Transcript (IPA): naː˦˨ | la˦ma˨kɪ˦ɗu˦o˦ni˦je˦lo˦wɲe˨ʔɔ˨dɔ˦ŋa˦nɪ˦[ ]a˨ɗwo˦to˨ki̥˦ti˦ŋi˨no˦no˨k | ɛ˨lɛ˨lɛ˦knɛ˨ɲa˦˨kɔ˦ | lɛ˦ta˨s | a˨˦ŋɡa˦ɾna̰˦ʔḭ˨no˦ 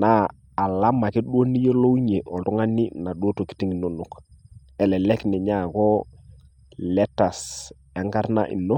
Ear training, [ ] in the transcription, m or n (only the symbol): n